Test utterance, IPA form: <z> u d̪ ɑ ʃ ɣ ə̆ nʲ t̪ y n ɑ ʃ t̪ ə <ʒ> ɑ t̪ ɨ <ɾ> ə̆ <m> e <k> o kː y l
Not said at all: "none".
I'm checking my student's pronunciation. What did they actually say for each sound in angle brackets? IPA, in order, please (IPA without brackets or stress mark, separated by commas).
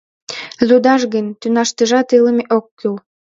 z, ʒ, l, m, ʔ